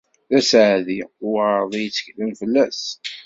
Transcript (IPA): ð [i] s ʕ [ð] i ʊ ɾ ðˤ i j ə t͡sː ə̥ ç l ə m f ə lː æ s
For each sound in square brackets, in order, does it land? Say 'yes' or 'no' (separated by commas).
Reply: no, yes